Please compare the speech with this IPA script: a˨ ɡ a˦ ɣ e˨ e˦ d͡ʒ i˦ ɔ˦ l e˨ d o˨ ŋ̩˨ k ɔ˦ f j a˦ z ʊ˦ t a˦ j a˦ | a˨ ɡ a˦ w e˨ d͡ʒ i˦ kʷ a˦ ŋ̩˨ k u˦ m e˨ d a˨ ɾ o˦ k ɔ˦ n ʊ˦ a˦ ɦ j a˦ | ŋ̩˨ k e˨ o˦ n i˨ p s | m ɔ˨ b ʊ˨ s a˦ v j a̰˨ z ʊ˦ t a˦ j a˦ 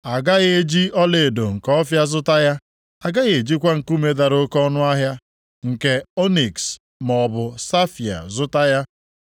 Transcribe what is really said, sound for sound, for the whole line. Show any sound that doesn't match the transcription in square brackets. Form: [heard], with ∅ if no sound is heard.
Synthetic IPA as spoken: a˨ ɡ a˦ ɣ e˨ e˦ d͡ʒ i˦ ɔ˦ l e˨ d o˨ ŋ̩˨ k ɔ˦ f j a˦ z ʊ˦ t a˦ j a˦ | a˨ ɡ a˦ [ɣ] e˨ d͡ʒ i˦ kʷ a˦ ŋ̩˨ k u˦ m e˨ d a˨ ɾ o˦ k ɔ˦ n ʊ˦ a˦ ɦ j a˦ | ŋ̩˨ k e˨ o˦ n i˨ [k] s | m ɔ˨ b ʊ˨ s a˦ [f] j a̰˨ z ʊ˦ t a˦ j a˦